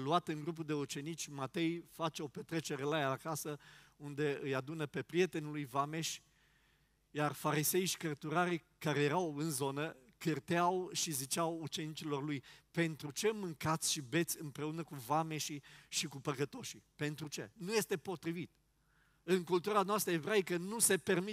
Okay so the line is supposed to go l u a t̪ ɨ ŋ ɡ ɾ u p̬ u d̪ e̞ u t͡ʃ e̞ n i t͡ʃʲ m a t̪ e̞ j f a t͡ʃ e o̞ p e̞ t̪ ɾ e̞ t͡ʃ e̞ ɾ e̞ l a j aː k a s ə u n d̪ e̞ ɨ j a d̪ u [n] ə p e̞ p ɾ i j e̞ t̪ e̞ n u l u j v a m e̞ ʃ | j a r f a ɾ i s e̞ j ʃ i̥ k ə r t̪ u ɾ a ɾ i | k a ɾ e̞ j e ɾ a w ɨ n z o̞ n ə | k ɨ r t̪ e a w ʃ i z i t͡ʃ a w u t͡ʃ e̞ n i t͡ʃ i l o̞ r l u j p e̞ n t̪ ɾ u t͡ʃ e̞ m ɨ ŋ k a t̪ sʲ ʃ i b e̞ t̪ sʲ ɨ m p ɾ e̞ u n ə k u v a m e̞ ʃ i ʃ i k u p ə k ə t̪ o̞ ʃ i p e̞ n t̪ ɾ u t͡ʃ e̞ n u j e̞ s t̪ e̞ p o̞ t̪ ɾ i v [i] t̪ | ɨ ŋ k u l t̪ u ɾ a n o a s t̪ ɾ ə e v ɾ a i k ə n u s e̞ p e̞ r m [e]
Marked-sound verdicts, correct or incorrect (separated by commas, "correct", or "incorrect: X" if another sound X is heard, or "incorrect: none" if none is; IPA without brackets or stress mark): correct, correct, incorrect: i